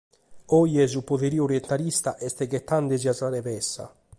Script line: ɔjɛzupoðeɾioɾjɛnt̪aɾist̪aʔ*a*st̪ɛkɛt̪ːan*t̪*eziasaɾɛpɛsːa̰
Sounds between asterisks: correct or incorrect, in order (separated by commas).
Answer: incorrect, incorrect